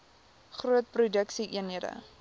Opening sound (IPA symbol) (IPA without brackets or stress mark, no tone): χ